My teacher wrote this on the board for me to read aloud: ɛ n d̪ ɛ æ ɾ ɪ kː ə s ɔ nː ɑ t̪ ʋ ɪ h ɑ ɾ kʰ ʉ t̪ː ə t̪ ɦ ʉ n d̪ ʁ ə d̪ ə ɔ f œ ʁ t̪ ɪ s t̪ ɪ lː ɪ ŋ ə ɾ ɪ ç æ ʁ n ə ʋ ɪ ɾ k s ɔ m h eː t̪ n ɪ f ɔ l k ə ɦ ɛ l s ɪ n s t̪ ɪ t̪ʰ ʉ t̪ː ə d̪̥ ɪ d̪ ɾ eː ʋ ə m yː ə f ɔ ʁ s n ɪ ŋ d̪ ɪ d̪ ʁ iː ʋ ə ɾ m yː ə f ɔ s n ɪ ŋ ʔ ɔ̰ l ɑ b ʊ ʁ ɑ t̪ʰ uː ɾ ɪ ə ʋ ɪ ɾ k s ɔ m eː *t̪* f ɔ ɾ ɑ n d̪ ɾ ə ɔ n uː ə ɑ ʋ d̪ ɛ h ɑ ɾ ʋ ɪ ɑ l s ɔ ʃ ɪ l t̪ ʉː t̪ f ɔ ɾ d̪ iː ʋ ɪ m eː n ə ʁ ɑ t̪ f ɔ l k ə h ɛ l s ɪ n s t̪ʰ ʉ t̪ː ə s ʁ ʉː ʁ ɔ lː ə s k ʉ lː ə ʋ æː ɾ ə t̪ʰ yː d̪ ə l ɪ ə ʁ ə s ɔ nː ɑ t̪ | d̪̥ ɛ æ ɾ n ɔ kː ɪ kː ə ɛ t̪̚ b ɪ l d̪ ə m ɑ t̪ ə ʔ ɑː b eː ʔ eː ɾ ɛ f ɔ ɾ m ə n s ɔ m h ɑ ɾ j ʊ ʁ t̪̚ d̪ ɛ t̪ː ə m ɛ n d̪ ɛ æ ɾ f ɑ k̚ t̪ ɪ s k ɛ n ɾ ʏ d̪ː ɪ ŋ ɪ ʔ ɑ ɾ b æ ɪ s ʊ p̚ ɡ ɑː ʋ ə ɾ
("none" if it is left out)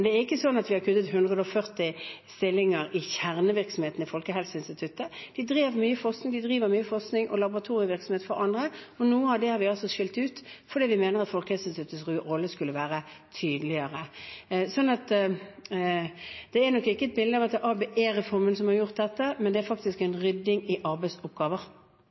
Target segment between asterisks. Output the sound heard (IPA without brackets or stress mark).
t̪